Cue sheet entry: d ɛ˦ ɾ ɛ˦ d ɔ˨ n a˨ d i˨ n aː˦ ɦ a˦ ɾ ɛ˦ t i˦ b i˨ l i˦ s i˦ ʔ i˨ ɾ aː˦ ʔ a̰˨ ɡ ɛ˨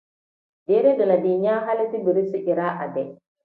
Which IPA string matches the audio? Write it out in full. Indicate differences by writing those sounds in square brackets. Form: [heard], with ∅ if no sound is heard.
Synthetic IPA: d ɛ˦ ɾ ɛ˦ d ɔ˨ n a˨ d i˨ [ɲ] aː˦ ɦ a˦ [l] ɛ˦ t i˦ b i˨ [ɾ] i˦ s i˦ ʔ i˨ ɾ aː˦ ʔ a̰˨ [d] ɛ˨